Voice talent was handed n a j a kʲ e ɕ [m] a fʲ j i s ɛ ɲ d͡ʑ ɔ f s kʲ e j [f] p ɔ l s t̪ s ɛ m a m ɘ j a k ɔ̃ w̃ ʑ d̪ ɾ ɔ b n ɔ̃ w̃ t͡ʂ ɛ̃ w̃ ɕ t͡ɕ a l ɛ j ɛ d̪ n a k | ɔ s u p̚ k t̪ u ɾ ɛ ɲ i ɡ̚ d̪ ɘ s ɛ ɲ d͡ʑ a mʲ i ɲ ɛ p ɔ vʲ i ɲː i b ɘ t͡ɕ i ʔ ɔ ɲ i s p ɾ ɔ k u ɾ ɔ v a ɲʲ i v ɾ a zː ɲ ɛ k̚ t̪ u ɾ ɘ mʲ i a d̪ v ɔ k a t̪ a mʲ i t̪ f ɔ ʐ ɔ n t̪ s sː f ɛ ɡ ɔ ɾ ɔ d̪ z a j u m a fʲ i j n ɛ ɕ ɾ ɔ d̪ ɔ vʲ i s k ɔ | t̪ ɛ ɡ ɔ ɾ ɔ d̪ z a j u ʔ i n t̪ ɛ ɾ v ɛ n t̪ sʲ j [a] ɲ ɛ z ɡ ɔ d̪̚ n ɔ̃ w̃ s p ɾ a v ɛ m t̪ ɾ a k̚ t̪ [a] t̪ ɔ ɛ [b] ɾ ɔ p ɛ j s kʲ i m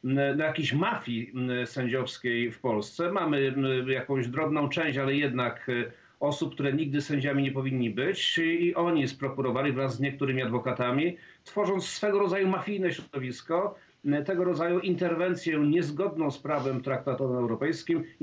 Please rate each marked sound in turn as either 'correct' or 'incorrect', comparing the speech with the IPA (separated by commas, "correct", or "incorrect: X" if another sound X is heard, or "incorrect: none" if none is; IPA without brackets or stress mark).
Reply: correct, correct, incorrect: ɛ, correct, incorrect: w